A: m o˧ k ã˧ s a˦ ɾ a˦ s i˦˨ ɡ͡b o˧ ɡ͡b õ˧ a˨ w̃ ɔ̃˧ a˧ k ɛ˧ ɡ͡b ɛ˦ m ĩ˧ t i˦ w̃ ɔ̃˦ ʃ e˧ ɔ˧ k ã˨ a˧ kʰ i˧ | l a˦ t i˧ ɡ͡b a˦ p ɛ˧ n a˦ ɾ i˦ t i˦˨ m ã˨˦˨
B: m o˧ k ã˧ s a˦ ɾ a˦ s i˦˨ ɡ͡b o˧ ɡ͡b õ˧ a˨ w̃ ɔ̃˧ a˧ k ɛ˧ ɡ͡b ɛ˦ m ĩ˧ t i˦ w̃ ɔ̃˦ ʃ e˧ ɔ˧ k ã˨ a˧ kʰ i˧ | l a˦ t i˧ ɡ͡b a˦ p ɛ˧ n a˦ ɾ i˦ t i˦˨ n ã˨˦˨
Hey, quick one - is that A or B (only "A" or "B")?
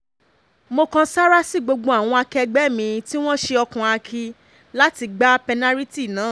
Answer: B